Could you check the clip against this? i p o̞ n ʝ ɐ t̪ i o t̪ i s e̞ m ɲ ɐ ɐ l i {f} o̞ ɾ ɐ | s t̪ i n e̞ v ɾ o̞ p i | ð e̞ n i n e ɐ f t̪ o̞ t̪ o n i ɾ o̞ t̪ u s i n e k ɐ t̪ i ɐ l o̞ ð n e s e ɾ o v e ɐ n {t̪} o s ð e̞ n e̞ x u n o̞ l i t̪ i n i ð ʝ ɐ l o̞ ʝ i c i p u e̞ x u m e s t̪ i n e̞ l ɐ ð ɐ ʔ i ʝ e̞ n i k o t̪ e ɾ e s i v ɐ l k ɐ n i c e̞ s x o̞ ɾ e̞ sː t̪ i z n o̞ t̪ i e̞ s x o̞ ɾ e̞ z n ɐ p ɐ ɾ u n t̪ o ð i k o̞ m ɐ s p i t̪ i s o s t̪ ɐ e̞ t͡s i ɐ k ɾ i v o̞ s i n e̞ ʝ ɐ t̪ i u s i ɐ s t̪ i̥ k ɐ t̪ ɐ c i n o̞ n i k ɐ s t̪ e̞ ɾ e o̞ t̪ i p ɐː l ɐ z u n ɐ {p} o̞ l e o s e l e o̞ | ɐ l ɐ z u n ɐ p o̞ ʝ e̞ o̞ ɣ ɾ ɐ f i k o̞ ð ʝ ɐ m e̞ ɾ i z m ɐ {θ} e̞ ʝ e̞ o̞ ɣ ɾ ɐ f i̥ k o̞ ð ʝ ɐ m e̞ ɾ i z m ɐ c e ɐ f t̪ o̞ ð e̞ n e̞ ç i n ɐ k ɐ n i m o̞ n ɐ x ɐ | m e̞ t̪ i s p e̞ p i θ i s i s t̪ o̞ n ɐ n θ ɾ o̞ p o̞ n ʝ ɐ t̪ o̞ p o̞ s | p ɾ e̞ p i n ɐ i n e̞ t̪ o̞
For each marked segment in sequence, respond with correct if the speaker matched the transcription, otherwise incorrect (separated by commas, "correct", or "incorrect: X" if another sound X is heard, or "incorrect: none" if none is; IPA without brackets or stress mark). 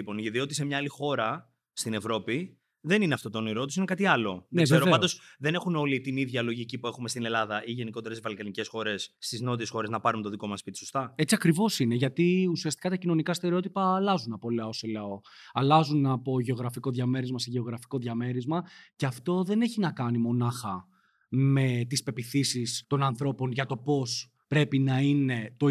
incorrect: x, incorrect: d̪, correct, incorrect: s